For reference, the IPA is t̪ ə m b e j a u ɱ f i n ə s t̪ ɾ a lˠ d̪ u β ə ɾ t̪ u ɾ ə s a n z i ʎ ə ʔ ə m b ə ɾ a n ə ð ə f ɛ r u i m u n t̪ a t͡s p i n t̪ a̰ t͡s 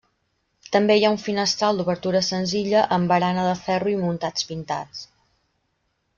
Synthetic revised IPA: t̪ ə m b e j a u ɱ f i n ə s t̪ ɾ a lˠ d̪ u β ə ɾ t̪ u ɾ ə s ə n z i ʎ ə ʔ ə m b ə ɾ a n ə ð ə f ɛ r u i m u n t̪ a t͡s p i n t̪ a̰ t͡s